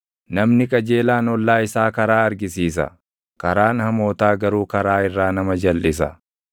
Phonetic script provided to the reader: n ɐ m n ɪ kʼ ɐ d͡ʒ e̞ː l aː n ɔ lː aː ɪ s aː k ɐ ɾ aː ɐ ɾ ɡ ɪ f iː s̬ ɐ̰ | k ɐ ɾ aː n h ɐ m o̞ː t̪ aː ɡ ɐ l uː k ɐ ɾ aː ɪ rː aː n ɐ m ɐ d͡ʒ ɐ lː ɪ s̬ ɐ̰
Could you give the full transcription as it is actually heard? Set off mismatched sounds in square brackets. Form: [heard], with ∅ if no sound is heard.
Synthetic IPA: n ɐ m n ɪ kʼ ɐ d͡ʒ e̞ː l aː n ɔ lː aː ɪ s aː k ɐ ɾ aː ɐ ɾ ɡ ɪ [s] iː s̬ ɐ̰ | k ɐ ɾ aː n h ɐ m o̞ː t̪ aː ɡ ɐ [ɾ] uː k ɐ ɾ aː ɪ rː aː n ɐ m ɐ d͡ʒ ɐ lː ɪ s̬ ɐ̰

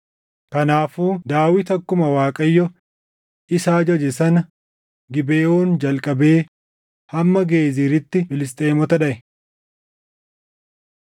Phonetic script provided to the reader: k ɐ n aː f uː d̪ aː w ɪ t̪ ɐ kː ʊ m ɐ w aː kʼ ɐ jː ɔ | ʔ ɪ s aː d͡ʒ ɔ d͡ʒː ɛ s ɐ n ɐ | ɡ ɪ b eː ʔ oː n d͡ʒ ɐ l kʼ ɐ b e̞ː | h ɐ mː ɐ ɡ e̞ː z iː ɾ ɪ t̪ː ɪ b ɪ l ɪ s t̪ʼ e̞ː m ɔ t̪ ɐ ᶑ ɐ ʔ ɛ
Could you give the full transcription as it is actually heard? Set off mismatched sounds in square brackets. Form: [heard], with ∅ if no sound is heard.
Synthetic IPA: k ɐ n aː f uː d̪ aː w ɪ t̪ ɐ kː ʊ m ɐ w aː kʼ ɐ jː ɔ | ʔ ɪ s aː d͡ʒ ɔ [d͡ʒ] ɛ s ɐ n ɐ | ɡ ɪ b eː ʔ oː n d͡ʒ ɐ l kʼ ɐ b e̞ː | h ɐ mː ɐ ɡ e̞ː z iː ɾ ɪ t̪ː ɪ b ɪ l ɪ s t̪ʼ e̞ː m ɔ t̪ ɐ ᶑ ɐ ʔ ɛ

